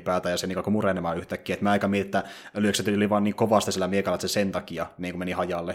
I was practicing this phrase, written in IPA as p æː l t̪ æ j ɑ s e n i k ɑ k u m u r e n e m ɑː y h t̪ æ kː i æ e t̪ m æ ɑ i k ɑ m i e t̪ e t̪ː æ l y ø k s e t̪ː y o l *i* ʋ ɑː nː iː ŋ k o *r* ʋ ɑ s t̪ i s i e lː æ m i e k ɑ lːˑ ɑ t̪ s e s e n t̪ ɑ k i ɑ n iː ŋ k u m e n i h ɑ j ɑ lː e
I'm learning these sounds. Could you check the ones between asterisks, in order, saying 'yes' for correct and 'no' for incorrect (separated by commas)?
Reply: yes, no